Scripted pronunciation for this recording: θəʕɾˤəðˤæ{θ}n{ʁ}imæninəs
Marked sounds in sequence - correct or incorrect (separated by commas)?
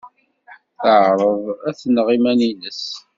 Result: correct, correct